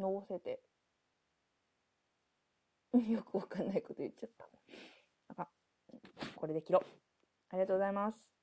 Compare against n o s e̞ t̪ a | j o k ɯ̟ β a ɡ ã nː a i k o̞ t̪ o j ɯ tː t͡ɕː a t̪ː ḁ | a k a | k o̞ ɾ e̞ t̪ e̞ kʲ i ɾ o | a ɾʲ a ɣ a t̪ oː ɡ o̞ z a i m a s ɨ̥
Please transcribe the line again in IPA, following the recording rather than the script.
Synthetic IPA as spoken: n o s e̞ t̪ e | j o k ɯ̟ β a k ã nː a i k o̞ t̪ o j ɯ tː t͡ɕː a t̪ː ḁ | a k a | k o̞ ɾ e̞ d̪ e̞ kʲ i ɾ o | a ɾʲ i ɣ a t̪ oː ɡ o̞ z a i m a s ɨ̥